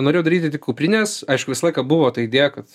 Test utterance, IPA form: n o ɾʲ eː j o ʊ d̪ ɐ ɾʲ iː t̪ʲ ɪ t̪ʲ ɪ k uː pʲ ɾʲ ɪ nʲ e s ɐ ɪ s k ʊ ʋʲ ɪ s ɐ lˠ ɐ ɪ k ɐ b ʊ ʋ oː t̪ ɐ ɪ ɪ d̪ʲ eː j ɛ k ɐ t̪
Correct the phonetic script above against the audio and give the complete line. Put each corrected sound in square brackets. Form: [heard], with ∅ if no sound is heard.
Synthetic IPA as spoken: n o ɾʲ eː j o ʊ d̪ ɐ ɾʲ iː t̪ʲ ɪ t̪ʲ ɪ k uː pʲ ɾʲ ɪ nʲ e s ɐ ɪ [ʃ] k ʊ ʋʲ ɪ s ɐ lˠ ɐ ɪ k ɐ b ʊ ʋ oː t̪ ɐ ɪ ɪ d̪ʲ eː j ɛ k ɐ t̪

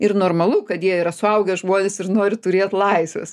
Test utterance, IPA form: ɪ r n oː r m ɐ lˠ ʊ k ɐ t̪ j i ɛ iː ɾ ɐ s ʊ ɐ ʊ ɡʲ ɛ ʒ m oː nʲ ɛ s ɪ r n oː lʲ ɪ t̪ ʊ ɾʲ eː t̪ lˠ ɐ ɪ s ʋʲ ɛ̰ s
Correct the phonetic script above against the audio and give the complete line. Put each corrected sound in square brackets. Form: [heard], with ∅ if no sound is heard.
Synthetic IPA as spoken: ɪ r n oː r m ɐ lˠ ʊ k ɐ t̪ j i ɛ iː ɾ ɐ s ʊ ɐ ʊ ɡʲ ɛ ʒ m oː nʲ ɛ s ɪ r n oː [ɾʲ] ɪ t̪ ʊ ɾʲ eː t̪ lˠ ɐ ɪ s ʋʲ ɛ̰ s

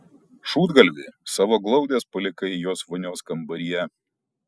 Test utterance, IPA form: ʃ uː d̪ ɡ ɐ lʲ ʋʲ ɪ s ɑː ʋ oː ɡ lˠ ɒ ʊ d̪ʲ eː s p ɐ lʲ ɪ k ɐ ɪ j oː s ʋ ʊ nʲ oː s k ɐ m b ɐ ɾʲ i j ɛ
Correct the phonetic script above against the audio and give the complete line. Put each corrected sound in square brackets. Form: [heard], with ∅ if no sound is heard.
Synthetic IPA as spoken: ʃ uː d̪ ɡ ɐ lʲ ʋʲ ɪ s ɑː ʋ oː ɡ lˠ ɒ ʊ d̪ʲ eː s p ɐ lʲ ɪ k ɐ ɪ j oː s ʋ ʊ nʲ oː s k ɐ m b ɐ ɾʲ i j ɛ

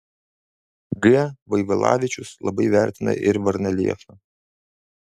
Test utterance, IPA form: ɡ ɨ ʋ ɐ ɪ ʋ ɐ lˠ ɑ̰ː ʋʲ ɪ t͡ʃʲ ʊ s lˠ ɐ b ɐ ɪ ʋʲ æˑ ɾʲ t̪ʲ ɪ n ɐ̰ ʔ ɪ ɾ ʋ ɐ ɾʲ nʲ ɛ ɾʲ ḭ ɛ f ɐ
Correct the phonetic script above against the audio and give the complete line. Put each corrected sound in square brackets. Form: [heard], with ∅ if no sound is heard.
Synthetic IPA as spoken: ɡ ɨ ʋ ɐ ɪ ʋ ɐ lˠ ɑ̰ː ʋʲ ɪ t͡ʃʲ ʊ s lˠ ɐ b ɐ ɪ ʋʲ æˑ ɾʲ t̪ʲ ɪ n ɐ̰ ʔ ɪ ɾ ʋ ɐ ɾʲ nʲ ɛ [lʲ] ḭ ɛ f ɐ

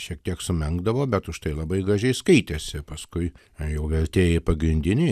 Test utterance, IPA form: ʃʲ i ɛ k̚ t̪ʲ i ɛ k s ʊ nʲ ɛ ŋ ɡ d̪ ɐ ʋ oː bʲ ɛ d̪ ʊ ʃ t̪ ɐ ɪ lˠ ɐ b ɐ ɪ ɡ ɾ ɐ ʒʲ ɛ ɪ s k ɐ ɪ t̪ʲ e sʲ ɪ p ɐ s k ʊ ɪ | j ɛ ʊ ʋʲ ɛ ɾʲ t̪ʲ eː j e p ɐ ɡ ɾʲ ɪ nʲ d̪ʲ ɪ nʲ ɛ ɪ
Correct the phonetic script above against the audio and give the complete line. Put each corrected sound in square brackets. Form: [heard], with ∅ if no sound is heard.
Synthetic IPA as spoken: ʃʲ i ɛ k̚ t̪ʲ i ɛ k s ʊ [mʲ] ɛ ŋ ɡ d̪ ɐ ʋ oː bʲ ɛ [t̪] ʊ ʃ t̪ ɐ ɪ lˠ ɐ b ɐ ɪ ɡ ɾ ɐ ʒʲ ɛ ɪ s k ɐ ɪ t̪ʲ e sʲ ɪ p ɐ s k ʊ ɪ | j ɛ ʊ ʋʲ ɛ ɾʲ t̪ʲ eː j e p ɐ ɡ ɾʲ ɪ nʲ d̪ʲ ɪ nʲ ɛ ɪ

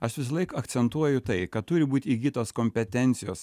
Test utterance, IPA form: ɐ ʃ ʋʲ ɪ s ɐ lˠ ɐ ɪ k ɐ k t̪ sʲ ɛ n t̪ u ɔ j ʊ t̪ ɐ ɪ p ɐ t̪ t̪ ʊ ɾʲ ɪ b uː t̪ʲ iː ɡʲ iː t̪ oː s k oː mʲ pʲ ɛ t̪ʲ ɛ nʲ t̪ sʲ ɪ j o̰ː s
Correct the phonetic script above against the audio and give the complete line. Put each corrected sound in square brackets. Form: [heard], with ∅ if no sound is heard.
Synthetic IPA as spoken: ɐ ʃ ʋʲ ɪ s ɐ lˠ ɐ ɪ k ɐ k t̪ sʲ ɛ n t̪ u ɔ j ʊ t̪ ɐ ɪ [k] ɐ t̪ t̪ ʊ ɾʲ ɪ b uː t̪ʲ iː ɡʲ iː t̪ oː s k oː mʲ pʲ ɛ t̪ʲ ɛ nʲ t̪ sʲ ɪ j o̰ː s

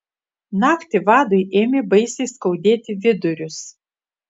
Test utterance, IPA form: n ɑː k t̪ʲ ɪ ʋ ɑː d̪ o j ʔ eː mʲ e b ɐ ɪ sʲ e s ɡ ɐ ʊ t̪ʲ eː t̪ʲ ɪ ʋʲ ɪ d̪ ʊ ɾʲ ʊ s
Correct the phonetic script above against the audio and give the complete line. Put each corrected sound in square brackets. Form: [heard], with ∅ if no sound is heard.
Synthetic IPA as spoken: n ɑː k t̪ʲ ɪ ʋ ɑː d̪ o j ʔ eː mʲ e b ɐ ɪ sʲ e s [k] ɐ ʊ [d̪ʲ] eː t̪ʲ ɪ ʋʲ ɪ d̪ ʊ ɾʲ ʊ s

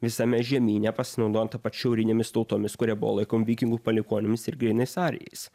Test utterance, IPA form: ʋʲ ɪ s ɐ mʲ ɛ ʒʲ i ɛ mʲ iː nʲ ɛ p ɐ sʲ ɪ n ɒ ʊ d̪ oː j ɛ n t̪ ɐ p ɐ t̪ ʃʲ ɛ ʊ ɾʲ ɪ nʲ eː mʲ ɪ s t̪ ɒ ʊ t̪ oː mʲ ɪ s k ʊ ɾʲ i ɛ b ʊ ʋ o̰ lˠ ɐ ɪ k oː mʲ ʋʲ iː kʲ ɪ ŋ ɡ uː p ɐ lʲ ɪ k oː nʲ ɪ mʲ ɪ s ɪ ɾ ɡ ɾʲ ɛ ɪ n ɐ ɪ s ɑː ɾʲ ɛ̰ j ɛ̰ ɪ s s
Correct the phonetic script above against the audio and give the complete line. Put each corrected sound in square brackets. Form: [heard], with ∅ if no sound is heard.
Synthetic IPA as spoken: ʋʲ ɪ s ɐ mʲ ɛ ʒʲ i ɛ mʲ iː nʲ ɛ p ɐ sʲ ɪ n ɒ ʊ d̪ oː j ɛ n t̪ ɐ p ɐ t̪ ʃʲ ɛ ʊ ɾʲ ɪ nʲ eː mʲ ɪ s t̪ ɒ ʊ t̪ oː mʲ ɪ s k ʊ ɾʲ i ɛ b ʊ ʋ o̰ lˠ ɐ ɪ k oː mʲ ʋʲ iː kʲ ɪ ŋ ɡ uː p ɐ lʲ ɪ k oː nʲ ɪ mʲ ɪ s ɪ ɾ ɡ ɾʲ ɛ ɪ n ɐ ɪ s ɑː ɾʲ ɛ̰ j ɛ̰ ɪ s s

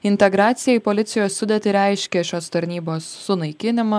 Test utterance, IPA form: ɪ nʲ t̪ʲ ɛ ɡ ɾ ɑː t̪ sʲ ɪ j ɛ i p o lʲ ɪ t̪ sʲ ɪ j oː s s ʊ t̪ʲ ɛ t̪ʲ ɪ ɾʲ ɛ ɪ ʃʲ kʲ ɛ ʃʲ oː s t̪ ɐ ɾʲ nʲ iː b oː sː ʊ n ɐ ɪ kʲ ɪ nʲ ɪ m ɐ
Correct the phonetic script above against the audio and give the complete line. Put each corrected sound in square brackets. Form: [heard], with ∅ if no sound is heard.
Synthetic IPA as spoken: ɪ nʲ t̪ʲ ɛ ɡ ɾ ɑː t̪ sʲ ɪ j ɛ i p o lʲ ɪ t̪ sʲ ɪ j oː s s ʊ [d̪ʲ] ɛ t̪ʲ ɪ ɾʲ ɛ ɪ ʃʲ kʲ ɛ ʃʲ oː s t̪ ɐ ɾʲ nʲ iː b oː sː ʊ n ɐ ɪ kʲ ɪ nʲ ɪ m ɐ

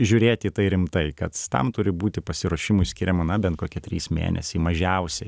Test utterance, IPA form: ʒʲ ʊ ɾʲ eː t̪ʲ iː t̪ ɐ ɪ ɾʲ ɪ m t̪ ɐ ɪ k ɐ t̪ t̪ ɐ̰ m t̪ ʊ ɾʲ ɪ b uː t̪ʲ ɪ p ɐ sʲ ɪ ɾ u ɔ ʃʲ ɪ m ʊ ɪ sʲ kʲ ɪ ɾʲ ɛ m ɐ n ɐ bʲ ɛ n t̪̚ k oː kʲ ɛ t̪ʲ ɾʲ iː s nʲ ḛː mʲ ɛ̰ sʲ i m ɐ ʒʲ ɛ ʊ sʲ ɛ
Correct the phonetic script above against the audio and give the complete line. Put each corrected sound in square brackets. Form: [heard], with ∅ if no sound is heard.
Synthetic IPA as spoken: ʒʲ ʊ ɾʲ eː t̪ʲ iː t̪ ɐ ɪ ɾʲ ɪ m t̪ ɐ ɪ k ɐ t̪ t̪ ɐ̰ m t̪ ʊ ɾʲ ɪ b uː t̪ʲ ɪ p ɐ sʲ ɪ ɾ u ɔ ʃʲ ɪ m ʊ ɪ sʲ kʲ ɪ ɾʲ ɛ m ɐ n ɐ bʲ ɛ n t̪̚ k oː kʲ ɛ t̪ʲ ɾʲ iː s [mʲ] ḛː [nʲ] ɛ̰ sʲ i m ɐ ʒʲ ɛ ʊ sʲ ɛ

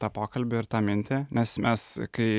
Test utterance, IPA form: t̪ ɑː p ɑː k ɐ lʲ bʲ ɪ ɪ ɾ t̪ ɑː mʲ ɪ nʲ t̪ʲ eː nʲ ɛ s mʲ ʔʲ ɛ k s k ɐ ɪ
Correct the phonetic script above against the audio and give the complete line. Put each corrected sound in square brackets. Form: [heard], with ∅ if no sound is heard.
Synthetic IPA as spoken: t̪ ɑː p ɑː k ɐ lʲ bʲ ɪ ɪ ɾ t̪ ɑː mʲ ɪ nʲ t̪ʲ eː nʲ ɛ s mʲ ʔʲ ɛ [∅] s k ɐ ɪ

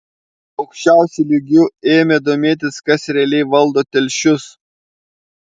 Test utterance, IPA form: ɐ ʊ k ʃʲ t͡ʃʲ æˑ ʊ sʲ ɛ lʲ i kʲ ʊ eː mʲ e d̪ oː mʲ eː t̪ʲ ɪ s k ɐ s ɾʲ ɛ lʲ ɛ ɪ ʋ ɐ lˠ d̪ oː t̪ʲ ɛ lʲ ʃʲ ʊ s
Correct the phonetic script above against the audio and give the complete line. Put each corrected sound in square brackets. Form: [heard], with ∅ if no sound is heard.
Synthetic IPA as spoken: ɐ ʊ k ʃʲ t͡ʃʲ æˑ ʊ sʲ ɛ lʲ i [ɡʲ] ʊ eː mʲ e d̪ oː mʲ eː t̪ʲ ɪ s k ɐ s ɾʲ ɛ lʲ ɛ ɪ ʋ ɐ lˠ d̪ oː t̪ʲ ɛ lʲ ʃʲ ʊ s

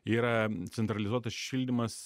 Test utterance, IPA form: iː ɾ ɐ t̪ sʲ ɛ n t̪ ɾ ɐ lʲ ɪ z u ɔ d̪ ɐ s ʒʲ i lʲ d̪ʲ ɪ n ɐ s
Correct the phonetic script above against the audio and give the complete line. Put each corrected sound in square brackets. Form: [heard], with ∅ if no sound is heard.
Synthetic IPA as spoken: iː ɾ ɐ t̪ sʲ ɛ n t̪ ɾ ɐ lʲ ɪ z u ɔ [t̪] ɐ s [ʃʲ] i lʲ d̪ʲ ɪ [m] ɐ s

